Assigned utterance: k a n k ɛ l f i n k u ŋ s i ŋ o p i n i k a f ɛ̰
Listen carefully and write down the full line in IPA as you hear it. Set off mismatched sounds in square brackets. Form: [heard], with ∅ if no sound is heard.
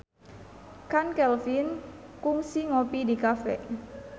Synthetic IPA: k a n k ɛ l f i n k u ŋ s i ŋ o p i [d] i k a f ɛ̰